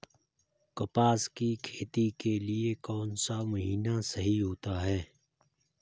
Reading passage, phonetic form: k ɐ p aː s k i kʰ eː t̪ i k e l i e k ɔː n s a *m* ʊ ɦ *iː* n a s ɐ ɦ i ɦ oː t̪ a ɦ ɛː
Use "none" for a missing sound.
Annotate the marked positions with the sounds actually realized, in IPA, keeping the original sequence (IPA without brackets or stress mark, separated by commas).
m, iː